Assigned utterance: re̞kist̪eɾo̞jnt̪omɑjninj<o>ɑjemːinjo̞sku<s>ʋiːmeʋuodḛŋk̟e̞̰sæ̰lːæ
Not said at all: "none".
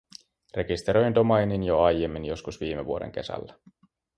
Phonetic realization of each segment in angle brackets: o, s

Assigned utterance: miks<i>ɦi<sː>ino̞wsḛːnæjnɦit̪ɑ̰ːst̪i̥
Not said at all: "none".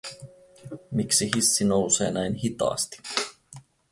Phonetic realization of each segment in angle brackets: i, sː

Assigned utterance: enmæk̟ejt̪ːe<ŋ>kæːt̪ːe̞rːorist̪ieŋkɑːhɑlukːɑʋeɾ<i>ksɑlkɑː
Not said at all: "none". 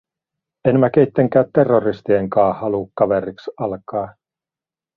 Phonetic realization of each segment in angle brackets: ŋ, i

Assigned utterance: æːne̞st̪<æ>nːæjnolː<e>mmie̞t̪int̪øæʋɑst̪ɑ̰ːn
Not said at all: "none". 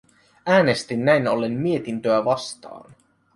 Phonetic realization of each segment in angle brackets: i, e

